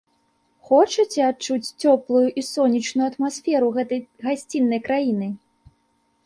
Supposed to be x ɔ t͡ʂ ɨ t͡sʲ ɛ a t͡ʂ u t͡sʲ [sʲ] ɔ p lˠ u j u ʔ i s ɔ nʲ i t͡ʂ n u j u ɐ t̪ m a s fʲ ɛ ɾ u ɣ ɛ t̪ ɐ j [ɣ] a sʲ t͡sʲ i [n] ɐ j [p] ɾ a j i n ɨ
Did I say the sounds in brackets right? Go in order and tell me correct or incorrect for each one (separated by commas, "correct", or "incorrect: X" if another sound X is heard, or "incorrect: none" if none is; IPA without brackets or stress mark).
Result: incorrect: t͡sʲ, correct, incorrect: nː, incorrect: k